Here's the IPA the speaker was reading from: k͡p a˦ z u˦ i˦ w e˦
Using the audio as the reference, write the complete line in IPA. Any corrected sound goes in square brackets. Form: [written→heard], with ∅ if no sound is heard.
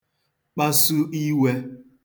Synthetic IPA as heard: k͡p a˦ [z→s] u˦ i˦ w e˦